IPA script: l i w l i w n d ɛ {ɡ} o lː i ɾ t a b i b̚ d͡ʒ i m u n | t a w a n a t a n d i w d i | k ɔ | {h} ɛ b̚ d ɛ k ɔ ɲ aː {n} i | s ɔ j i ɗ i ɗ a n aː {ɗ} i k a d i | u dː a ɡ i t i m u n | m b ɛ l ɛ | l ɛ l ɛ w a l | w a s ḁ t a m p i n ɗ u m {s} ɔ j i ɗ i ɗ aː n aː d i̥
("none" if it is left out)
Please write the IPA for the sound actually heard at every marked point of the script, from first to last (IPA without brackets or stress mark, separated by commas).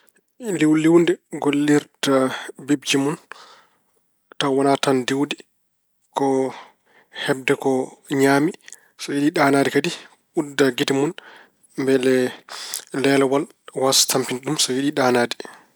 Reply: ɡ, h, m, d, s